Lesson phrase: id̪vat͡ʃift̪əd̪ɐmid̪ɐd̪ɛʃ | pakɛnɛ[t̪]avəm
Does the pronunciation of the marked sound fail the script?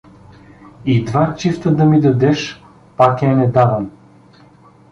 yes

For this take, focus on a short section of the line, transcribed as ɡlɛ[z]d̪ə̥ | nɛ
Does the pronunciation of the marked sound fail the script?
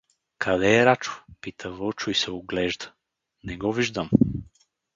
yes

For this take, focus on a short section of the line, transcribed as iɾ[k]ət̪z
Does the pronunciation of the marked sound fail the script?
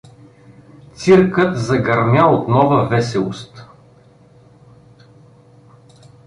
no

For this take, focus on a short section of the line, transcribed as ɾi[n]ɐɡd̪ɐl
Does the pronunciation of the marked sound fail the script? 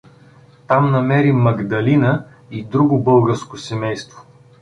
yes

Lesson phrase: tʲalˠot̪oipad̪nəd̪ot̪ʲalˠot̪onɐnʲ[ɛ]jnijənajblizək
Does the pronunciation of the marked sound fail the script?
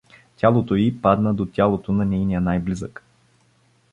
no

